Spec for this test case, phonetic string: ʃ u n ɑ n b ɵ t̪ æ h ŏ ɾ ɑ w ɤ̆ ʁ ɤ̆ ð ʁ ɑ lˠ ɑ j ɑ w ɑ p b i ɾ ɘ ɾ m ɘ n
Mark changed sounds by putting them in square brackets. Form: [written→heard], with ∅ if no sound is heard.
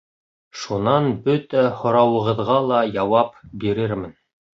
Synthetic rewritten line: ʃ u n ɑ n b ɵ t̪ æ h ŏ ɾ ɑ w ɤ̆ ʁ ɤ̆ ð ʁ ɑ lˠ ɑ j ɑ w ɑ p b i ɾ ɘ ɾ m ɘ n